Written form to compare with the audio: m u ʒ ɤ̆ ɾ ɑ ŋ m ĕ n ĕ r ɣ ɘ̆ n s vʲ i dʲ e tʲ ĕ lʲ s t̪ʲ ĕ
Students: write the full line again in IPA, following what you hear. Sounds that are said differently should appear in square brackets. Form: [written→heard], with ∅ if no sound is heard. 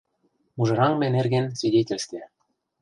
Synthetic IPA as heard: m u ʒ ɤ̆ ɾ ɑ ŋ m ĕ n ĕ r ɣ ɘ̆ n s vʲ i dʲ e tʲ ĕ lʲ s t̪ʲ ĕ